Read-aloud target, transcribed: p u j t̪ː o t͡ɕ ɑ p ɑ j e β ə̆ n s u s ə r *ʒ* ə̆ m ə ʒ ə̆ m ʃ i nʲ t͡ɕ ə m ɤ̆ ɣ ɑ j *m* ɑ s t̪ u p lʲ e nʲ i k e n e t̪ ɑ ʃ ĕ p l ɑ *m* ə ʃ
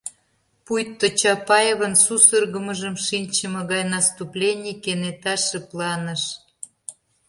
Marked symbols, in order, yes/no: no, no, no

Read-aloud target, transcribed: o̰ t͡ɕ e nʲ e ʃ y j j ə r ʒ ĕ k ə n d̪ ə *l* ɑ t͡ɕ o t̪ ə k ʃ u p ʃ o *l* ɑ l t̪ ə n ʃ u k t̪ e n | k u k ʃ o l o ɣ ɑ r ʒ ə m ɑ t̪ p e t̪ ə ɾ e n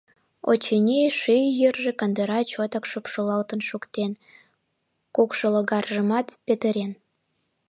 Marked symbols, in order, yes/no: no, yes

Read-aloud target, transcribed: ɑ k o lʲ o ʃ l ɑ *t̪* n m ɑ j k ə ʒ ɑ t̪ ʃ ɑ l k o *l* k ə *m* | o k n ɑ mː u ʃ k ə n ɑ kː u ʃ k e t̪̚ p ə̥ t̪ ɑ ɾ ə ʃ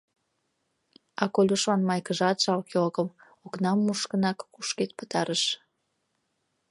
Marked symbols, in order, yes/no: no, yes, yes

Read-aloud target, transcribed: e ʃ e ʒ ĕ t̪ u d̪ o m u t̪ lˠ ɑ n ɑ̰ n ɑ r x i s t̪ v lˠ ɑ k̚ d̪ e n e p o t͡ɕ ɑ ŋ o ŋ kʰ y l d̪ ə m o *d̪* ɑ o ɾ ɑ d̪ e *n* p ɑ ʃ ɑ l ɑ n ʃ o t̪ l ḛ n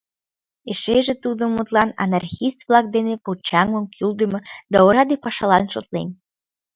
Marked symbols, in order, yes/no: yes, no

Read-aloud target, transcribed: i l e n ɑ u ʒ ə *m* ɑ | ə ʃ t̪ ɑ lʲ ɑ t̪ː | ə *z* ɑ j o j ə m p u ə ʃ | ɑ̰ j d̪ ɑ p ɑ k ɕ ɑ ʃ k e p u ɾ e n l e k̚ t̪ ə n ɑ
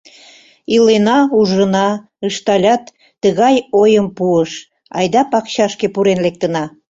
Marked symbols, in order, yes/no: no, no

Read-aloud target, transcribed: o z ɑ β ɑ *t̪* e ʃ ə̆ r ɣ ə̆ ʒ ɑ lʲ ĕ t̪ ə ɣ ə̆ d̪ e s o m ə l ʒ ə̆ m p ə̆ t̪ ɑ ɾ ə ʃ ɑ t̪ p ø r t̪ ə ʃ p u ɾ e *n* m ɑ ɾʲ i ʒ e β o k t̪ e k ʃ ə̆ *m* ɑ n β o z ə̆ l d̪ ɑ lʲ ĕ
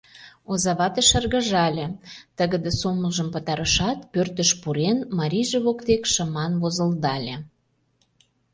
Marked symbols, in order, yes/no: yes, yes, yes

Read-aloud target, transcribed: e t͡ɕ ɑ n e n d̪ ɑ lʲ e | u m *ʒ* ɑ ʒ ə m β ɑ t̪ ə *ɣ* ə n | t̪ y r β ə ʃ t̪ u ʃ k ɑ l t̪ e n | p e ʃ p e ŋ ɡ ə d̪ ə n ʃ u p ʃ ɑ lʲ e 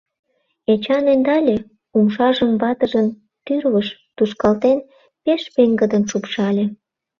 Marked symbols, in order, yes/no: no, no

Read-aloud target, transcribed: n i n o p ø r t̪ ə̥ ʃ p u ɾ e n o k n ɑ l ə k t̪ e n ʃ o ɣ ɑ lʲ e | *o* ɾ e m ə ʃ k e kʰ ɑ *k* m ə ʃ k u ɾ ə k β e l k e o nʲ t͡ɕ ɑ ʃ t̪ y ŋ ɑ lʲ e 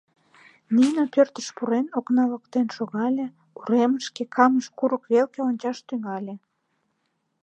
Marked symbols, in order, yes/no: no, no

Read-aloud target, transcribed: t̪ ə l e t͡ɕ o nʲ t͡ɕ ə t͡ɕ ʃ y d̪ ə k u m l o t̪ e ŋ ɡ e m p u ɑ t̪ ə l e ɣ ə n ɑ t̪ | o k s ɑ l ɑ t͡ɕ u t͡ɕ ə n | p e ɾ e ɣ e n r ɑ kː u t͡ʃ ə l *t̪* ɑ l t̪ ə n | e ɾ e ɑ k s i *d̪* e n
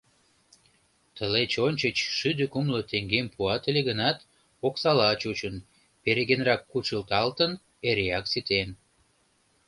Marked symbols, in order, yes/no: yes, no

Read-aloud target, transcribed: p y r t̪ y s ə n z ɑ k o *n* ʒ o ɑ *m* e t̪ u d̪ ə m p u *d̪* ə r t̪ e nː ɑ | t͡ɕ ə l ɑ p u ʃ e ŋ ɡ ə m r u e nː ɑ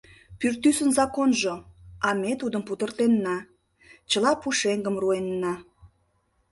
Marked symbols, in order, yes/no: yes, yes, no

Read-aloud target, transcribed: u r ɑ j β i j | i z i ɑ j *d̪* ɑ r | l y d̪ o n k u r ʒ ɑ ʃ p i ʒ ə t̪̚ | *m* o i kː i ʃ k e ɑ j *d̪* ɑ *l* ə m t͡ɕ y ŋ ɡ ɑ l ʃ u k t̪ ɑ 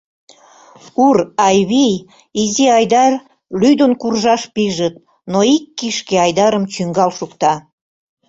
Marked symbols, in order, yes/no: yes, no, yes, no

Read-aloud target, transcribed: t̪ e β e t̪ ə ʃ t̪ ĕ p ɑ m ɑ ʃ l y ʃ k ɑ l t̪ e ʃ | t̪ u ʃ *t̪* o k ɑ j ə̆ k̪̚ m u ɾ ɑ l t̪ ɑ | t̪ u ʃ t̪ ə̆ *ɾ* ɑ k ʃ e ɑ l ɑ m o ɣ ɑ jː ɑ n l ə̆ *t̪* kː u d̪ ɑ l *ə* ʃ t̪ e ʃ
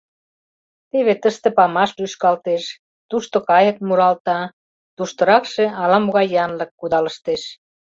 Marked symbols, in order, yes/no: yes, yes, no, yes

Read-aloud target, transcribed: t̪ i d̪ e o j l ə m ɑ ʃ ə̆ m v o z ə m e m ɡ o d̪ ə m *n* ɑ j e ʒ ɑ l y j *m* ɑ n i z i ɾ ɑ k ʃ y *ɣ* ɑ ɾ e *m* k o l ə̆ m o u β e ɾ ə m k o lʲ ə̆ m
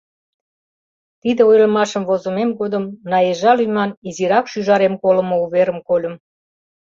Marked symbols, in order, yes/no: yes, yes, no, yes

